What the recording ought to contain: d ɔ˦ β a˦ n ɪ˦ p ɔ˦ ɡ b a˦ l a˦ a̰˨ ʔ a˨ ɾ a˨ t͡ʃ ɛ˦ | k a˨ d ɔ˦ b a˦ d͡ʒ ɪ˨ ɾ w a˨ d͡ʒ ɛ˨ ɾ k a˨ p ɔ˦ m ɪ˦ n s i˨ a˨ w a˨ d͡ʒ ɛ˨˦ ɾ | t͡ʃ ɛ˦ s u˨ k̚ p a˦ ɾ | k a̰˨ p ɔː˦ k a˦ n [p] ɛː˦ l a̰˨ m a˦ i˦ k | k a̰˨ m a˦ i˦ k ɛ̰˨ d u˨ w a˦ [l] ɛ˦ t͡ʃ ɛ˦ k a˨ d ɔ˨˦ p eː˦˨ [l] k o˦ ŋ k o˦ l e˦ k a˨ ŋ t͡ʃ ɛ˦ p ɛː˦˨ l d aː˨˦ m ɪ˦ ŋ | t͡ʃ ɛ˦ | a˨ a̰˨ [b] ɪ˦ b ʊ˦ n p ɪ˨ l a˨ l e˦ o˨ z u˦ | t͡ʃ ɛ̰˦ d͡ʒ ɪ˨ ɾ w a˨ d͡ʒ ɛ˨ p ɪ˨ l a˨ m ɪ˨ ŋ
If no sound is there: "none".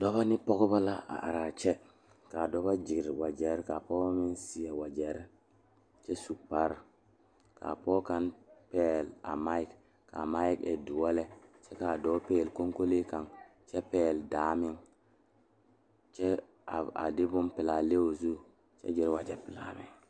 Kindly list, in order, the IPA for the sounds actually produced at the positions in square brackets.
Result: p, l, l, d

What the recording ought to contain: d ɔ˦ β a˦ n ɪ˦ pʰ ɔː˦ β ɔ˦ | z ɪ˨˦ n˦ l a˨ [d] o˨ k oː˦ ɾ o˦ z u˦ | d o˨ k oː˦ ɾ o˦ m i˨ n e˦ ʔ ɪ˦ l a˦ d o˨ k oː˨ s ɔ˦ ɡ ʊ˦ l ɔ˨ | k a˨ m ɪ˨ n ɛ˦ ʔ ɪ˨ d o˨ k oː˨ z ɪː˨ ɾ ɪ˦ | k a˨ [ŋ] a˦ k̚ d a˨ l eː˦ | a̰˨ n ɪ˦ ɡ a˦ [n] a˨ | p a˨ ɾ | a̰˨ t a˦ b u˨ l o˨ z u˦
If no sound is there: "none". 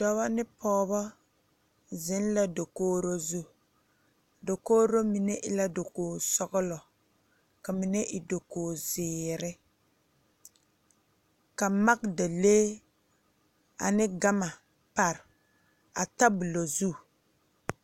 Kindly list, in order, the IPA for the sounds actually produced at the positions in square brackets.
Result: d, m, m

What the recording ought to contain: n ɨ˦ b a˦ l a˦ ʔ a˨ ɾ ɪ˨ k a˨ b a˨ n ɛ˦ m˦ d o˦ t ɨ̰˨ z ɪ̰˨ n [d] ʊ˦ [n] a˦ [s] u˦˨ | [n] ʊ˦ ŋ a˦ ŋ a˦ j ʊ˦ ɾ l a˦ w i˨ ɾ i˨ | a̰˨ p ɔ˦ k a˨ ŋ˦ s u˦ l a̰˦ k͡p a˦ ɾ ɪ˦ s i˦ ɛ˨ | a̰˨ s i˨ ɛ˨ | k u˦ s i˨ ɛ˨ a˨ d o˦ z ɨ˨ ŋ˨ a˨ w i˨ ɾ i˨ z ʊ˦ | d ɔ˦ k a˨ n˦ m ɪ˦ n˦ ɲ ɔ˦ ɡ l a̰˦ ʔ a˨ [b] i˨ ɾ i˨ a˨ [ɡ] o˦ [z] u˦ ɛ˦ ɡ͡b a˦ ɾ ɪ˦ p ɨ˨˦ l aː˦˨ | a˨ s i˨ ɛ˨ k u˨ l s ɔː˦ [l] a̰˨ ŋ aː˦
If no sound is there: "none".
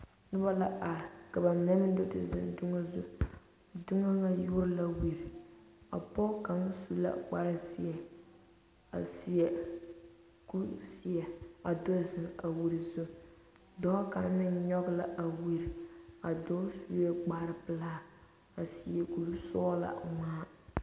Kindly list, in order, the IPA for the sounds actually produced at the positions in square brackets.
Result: d, ŋ, z, d, w, d, s, l

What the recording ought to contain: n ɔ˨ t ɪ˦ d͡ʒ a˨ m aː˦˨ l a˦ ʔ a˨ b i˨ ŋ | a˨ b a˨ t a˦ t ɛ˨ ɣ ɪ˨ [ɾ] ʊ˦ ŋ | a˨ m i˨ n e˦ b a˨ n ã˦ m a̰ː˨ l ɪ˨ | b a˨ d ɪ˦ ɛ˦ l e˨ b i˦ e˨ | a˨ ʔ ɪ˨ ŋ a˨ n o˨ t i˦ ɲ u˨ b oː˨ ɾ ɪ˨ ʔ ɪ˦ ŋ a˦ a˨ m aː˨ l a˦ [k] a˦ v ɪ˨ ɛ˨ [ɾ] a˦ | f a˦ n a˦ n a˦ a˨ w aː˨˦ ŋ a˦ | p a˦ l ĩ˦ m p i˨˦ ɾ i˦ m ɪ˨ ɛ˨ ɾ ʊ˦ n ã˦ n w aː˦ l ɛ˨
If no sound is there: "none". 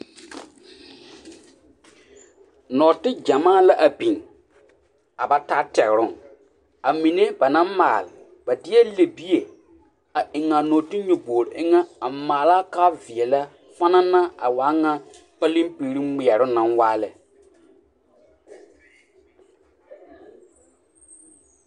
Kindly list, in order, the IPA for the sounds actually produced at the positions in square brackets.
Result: ɾ, k, l

